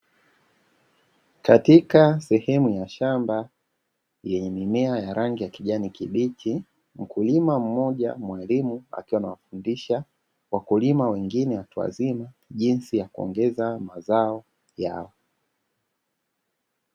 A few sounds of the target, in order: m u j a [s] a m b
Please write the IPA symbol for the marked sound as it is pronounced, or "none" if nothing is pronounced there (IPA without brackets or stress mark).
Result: ʃ